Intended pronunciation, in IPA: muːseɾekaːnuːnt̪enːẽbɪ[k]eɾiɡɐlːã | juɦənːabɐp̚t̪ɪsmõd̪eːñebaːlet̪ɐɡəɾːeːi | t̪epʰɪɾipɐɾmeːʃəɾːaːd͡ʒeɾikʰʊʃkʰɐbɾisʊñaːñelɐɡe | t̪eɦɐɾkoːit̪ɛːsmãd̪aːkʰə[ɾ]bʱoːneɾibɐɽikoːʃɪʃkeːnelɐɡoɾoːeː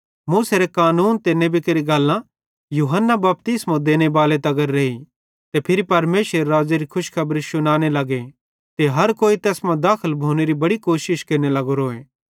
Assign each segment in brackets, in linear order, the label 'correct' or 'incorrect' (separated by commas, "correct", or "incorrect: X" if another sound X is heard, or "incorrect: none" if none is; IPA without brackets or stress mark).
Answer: correct, incorrect: l